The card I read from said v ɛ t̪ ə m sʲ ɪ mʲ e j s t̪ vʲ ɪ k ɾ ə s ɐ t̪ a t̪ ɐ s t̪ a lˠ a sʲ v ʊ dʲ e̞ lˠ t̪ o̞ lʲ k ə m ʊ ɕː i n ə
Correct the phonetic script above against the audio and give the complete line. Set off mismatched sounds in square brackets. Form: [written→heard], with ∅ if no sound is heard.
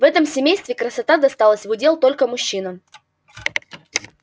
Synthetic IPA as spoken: v ɛ t̪ ə m sʲ ɪ mʲ e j s t̪ vʲ ɪ k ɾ ə s ɐ t̪ a [t̪→d̪] ɐ s t̪ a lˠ [a→ə] sʲ v ʊ dʲ e̞ lˠ t̪ o̞ lʲ k ə m ʊ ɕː i n ə